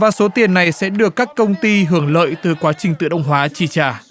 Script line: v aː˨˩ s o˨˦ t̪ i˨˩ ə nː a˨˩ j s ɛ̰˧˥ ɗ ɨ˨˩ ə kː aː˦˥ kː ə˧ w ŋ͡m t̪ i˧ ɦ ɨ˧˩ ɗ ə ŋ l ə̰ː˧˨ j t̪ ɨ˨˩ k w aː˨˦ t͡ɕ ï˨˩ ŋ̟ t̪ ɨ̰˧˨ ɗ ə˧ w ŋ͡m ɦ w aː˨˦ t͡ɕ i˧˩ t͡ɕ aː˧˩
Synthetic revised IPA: v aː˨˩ s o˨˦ t̪ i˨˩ ə nː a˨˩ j s ɛ̰˧˥ ɗ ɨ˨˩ ə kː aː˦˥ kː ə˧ w ŋ͡m t̪ i˧ ɦ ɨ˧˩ ə ŋ l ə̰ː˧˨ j t̪ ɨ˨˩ k w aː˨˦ t͡ɕ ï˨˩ ŋ̟ t̪ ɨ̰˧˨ ɗ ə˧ w ŋ͡m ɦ w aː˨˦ t͡ɕ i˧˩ t͡ɕ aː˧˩